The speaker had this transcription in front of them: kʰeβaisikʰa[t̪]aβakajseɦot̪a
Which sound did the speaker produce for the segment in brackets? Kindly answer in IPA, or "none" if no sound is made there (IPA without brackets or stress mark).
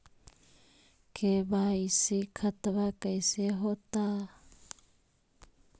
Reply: t̪